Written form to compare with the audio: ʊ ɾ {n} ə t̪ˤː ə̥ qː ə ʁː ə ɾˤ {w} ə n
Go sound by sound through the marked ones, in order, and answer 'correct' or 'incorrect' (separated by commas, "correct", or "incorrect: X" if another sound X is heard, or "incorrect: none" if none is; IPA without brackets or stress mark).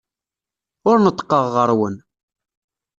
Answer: correct, correct